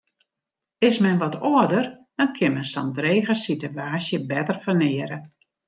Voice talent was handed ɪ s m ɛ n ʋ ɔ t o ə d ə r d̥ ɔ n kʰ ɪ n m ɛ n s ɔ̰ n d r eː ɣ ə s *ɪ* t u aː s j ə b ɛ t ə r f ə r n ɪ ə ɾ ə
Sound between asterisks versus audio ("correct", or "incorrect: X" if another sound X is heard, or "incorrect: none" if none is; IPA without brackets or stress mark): incorrect: i